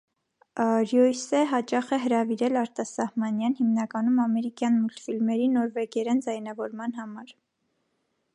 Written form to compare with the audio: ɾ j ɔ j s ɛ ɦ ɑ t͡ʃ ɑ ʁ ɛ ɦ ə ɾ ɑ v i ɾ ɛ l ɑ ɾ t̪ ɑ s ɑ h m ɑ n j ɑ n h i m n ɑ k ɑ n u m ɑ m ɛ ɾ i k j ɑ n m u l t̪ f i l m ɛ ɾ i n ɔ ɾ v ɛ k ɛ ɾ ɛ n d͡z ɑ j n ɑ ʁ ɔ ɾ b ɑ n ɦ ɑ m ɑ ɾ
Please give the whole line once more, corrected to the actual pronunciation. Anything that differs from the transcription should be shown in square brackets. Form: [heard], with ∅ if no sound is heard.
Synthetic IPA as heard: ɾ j ɔ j s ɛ ɦ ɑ t͡ʃ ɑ [χ] ɛ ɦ ə ɾ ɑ v i ɾ ɛ l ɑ ɾ t̪ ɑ s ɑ h m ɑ n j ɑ n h i m n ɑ k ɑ n u m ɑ m ɛ ɾ i k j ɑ n m u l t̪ f i l m ɛ ɾ i n ɔ ɾ v ɛ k ɛ ɾ ɛ n d͡z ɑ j n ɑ [v] ɔ ɾ [m] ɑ n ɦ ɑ m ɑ ɾ